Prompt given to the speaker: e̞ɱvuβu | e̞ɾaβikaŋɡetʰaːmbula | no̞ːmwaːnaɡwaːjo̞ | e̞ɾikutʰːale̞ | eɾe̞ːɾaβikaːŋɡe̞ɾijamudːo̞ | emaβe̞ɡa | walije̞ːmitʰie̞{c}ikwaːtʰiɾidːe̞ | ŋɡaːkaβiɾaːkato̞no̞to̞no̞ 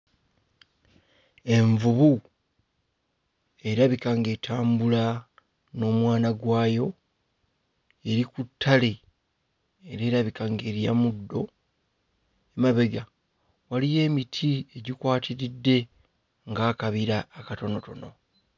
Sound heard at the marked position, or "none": ɟ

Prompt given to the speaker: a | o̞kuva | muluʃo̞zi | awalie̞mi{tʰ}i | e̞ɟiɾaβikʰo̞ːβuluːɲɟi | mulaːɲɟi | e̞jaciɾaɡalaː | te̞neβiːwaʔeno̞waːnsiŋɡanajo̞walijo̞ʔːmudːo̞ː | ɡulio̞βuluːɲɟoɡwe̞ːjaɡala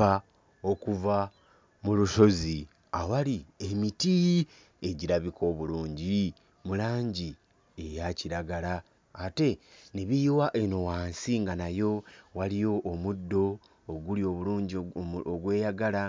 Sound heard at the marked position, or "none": t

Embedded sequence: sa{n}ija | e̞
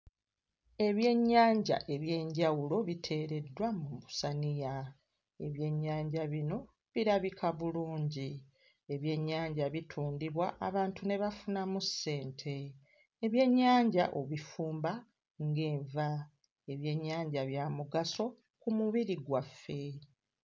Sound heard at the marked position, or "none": n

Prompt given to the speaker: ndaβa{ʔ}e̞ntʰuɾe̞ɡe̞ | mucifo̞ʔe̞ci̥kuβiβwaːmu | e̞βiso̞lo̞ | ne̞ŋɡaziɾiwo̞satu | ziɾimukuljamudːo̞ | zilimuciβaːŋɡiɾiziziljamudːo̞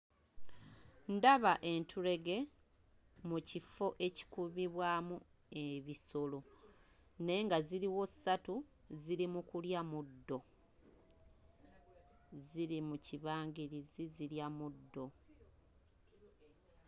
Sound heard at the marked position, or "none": ʔ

